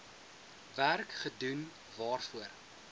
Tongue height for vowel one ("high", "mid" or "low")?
low